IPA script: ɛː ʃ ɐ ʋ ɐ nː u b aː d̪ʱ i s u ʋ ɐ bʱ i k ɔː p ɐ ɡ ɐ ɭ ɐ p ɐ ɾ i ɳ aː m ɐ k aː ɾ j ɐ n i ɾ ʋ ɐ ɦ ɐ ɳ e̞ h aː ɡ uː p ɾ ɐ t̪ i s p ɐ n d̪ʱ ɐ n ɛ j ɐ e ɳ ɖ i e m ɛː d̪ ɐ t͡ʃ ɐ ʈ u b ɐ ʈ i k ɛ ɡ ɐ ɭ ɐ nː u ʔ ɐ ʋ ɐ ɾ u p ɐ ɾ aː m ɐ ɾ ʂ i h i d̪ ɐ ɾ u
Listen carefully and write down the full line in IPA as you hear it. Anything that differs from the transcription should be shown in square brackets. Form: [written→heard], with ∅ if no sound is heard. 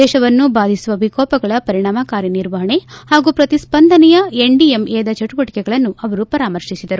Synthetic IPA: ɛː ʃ ɐ ʋ ɐ nː u b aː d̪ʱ i s u ʋ ɐ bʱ i k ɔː p ɐ ɡ ɐ ɭ ɐ p ɐ ɾ i ɳ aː m ɐ k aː ɾ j ɐ n i ɾ ʋ ɐ ɦ ɐ ɳ e̞ h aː ɡ uː p ɾ ɐ t̪ i s p ɐ n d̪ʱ ɐ n ɛ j ɐ e ɳ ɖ i e m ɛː d̪ ɐ t͡ʃ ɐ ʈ u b ɐ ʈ i k ɛ ɡ ɐ ɭ ɐ nː u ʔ ɐ ʋ ɐ ɾ u p ɐ ɾ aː m ɐ ɾ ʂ i [h→s] i d̪ ɐ ɾ u

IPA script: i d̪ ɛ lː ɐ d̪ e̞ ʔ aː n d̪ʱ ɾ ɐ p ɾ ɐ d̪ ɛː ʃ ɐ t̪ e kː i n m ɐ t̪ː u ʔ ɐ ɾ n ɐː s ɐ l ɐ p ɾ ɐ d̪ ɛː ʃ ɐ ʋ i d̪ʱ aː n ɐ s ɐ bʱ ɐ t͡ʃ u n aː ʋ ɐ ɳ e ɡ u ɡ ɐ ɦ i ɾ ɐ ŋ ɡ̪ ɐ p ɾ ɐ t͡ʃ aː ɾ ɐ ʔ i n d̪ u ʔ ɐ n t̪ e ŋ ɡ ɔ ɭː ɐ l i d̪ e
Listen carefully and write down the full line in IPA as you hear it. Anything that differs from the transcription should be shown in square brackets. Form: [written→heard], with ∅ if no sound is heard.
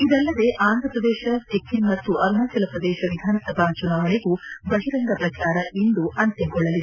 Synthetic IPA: i d̪ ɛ lː ɐ d̪ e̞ ʔ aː n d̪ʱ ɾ ɐ p ɾ ɐ d̪ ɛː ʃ ɐ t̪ e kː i n m ɐ t̪ː u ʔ ɐ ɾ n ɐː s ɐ l ɐ p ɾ ɐ d̪ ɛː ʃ ɐ ʋ i d̪ʱ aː n ɐ s ɐ bʱ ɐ t͡ʃ u n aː ʋ ɐ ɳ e ɡ u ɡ ɐ ɦ i ɾ ɐ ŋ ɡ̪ ɐ p ɾ ɐ t͡ʃ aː ɾ ɐ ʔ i n d̪ u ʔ ɐ n t̪ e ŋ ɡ ɔ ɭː ɐ l i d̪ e

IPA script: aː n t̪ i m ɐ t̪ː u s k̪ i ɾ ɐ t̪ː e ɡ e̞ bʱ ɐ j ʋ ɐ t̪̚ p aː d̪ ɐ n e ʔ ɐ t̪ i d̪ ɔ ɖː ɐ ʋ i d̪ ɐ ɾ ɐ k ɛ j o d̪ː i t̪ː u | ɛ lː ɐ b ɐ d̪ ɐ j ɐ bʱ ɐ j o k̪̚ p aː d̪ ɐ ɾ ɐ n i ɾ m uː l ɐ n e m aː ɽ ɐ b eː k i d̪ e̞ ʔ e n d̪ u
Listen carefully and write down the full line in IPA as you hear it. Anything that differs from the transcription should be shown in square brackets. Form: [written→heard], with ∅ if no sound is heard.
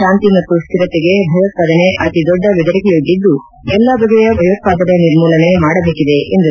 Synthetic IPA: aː n t̪ i m ɐ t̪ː u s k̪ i ɾ ɐ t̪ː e ɡ e̞ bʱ ɐ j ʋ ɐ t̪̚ p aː d̪ ɐ n e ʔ ɐ t̪ i d̪ ɔ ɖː ɐ ʋ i d̪ ɐ ɾ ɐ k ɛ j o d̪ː i [t̪ː→d̪ː] u | ɛ lː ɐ b ɐ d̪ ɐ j ɐ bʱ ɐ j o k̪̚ p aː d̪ ɐ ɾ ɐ n i ɾ m uː l ɐ n e m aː ɽ ɐ b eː k i d̪ e̞ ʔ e n d̪ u

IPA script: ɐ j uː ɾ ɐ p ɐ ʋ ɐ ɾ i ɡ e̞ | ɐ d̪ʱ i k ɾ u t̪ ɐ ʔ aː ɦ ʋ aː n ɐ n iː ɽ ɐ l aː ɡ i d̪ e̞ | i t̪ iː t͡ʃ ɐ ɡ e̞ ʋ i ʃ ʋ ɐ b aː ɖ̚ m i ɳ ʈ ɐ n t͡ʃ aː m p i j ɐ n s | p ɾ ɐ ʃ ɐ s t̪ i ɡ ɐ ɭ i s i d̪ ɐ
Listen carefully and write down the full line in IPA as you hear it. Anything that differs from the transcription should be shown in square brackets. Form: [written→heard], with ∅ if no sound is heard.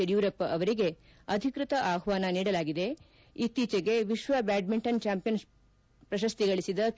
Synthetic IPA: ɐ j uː ɾ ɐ p ɐ ʋ ɐ ɾ i ɡ e̞ | ɐ d̪ʱ i k ɾ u t̪ ɐ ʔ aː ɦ ʋ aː n ɐ n iː ɽ ɐ l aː ɡ i d̪ e̞ | i t̪ iː t͡ʃ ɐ ɡ e̞ ʋ i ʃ ʋ ɐ b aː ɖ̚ m i ɳ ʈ ɐ n t͡ʃ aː m p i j ɐ n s | p ɾ ɐ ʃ ɐ s t̪ i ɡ ɐ ɭ i s i d̪ ɐ

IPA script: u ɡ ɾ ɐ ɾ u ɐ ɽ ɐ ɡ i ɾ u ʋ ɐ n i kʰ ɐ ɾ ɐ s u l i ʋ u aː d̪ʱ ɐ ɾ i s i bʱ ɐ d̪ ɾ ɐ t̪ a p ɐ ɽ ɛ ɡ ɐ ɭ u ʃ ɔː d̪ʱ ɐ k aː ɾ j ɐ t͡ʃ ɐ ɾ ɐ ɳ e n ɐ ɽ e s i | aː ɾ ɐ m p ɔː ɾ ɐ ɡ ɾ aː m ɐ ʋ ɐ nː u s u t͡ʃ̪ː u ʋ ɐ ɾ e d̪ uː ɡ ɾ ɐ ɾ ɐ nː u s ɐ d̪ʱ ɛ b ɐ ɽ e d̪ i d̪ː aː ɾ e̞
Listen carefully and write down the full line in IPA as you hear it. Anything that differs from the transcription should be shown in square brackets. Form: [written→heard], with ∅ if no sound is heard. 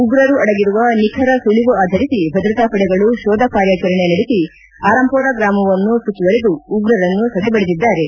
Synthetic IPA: u ɡ ɾ ɐ ɾ u ɐ ɽ ɐ ɡ i ɾ u ʋ ɐ n i kʰ ɐ ɾ ɐ s u l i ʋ u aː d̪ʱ ɐ ɾ i s i bʱ ɐ d̪ ɾ ɐ t̪ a p ɐ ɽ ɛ ɡ ɐ ɭ u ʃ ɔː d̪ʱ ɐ k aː ɾ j ɐ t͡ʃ ɐ ɾ ɐ ɳ e n ɐ ɽ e s i | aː ɾ ɐ m p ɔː ɾ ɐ ɡ ɾ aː m ɐ ʋ ɐ nː u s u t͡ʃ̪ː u ʋ ɐ ɾ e d̪ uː ɡ ɾ ɐ ɾ ɐ nː u s ɐ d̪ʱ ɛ b ɐ ɽ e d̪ i d̪ː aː ɾ e̞

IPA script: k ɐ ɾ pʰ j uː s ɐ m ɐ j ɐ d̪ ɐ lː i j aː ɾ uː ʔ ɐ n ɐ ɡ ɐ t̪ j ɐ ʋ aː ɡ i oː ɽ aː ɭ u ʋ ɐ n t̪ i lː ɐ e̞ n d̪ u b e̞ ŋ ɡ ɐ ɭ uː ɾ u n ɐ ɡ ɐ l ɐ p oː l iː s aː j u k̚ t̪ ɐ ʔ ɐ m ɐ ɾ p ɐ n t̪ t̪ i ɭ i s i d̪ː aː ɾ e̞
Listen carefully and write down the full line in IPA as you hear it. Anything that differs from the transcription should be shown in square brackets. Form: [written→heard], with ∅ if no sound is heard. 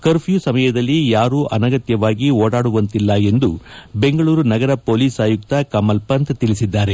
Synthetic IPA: k ɐ ɾ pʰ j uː s ɐ m ɐ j ɐ d̪ ɐ lː i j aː ɾ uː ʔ ɐ n ɐ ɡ ɐ t̪ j ɐ ʋ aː ɡ i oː ɽ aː [ɭ→ɽ] u ʋ ɐ n t̪ i lː ɐ e̞ n d̪ u b e̞ ŋ ɡ ɐ ɭ uː ɾ u n ɐ ɡ ɐ [l→ɾ] ɐ p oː l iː s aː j u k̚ t̪ ɐ [ʔ→k] ɐ m ɐ [ɾ→l] p ɐ n t̪ t̪ i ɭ i s i d̪ː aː ɾ e̞

